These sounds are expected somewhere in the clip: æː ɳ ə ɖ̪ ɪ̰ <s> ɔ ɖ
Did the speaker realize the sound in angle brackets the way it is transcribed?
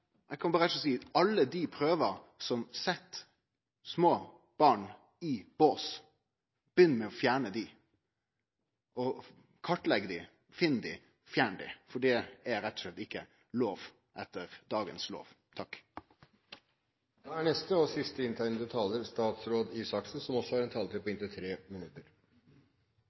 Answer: no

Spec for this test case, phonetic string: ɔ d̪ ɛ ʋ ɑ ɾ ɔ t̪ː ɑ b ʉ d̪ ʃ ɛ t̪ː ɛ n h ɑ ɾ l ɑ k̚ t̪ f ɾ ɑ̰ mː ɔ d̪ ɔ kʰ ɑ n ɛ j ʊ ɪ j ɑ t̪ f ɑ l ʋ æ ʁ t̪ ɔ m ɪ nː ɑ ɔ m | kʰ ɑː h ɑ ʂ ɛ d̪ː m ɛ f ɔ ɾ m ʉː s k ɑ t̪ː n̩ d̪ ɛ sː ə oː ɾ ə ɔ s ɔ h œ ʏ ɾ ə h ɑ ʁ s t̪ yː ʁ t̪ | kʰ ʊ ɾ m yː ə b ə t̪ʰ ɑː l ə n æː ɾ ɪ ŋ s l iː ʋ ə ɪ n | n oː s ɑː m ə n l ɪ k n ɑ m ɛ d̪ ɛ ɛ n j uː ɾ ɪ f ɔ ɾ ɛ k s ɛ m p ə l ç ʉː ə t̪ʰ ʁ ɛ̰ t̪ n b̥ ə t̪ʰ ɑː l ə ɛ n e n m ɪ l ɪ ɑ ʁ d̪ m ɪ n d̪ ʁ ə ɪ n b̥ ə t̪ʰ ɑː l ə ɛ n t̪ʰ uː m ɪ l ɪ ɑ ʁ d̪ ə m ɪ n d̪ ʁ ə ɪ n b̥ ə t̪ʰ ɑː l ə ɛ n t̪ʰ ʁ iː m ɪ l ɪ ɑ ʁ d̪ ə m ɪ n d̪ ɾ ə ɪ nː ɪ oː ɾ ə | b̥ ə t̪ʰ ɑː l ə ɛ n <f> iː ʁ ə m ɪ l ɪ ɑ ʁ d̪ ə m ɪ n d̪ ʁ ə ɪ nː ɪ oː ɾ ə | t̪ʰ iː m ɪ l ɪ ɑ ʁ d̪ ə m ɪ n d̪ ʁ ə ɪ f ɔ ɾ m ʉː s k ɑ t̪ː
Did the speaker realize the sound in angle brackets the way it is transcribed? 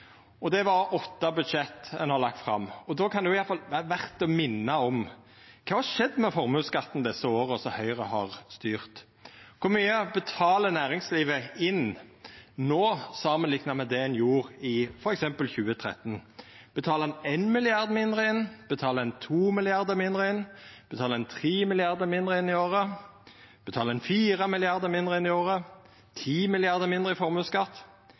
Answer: yes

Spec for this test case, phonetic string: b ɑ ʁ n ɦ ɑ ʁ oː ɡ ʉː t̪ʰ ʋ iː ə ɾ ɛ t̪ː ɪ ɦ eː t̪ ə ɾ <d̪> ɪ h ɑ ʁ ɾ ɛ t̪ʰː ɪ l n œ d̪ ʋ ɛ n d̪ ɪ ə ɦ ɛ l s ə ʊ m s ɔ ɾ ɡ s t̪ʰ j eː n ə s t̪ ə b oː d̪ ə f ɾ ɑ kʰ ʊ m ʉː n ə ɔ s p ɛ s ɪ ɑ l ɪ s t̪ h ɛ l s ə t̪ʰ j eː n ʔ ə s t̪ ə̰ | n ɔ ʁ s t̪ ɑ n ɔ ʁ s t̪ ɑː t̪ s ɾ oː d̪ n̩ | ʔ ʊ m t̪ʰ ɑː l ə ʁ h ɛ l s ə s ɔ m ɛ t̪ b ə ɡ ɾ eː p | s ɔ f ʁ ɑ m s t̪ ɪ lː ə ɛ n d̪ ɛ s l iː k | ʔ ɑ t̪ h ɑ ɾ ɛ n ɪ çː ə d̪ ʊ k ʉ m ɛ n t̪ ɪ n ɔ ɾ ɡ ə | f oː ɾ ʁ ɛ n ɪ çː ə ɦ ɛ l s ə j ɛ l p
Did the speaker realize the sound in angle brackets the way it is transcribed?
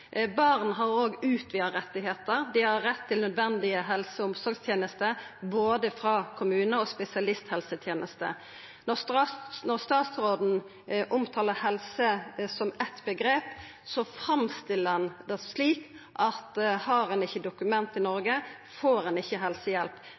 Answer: yes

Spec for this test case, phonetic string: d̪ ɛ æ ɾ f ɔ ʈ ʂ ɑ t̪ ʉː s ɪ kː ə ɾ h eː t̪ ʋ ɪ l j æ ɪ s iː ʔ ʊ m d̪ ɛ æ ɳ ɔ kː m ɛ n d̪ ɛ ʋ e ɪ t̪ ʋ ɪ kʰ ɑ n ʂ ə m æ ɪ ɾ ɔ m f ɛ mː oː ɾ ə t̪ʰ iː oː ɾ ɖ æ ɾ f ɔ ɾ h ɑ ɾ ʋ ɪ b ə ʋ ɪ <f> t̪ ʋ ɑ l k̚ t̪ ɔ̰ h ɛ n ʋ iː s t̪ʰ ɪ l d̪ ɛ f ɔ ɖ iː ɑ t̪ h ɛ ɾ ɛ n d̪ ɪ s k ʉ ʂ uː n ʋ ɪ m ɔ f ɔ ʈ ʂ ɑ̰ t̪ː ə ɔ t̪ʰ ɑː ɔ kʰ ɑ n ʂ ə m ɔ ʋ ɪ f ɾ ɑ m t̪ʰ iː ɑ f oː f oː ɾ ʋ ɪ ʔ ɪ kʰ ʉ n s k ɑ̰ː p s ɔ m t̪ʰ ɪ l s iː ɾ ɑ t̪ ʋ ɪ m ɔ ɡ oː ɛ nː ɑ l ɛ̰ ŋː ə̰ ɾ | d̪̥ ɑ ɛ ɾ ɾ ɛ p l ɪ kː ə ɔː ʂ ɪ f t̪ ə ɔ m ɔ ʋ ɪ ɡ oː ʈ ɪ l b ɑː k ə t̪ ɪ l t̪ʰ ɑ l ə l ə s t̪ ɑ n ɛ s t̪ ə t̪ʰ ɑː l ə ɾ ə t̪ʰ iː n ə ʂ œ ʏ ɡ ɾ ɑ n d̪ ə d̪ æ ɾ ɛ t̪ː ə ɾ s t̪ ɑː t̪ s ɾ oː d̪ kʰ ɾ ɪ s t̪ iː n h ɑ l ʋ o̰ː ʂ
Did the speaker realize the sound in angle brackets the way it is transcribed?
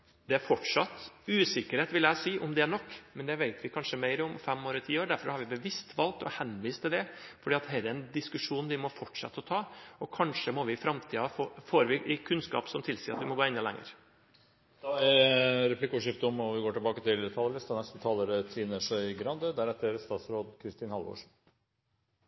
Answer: no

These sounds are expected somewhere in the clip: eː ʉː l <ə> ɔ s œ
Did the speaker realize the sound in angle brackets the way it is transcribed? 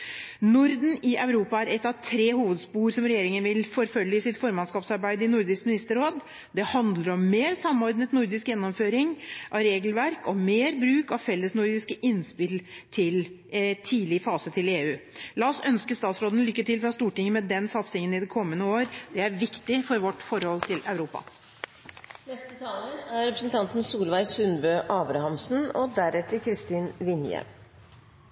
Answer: no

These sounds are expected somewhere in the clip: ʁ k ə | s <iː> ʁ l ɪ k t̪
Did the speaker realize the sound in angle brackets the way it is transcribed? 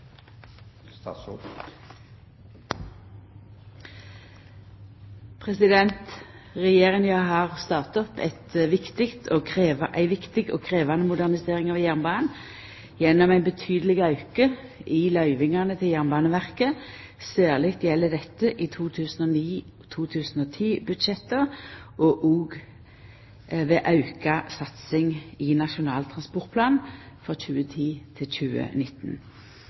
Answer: no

